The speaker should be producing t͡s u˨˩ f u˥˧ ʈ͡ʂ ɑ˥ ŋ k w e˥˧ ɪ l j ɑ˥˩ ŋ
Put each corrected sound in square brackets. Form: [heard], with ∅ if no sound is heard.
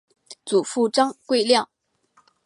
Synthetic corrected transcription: t͡s u˨˩ f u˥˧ ʈ͡ʂ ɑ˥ ŋ k w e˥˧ ɪ l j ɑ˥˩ ŋ